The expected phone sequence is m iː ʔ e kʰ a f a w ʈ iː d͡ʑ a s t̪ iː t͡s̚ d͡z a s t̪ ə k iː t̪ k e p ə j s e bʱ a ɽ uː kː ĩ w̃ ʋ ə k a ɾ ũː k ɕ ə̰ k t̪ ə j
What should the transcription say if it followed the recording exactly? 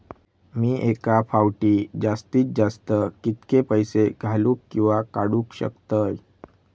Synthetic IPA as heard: m iː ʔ e k a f a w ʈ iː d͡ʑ a s t̪ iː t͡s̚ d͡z a s t̪ ə k i t̪ k e p ə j s e ɡʱ a l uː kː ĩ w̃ ʋ a k a ɽ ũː k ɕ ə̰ k t̪ ə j